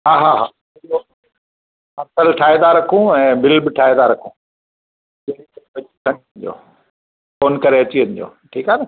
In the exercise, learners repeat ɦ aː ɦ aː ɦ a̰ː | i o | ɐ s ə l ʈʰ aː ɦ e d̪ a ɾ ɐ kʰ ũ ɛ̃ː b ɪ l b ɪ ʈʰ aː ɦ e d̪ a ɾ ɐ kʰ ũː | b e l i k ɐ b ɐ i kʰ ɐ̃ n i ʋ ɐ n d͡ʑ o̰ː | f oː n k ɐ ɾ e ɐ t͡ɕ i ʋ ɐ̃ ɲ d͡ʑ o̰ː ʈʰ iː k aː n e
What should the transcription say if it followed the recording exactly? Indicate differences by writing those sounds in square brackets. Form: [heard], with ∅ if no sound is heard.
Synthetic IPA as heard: ɦ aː ɦ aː ɦ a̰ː | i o | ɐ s ə l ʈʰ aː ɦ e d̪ a ɾ ɐ kʰ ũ ɛ̃ː b ɪ l b ɪ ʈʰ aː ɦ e d̪ a ɾ ɐ kʰ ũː | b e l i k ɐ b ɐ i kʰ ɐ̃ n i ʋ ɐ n d͡ʑ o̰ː | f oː n k ɐ ɾ e ɐ t͡ɕ i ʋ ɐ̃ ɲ d͡ʑ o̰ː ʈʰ iː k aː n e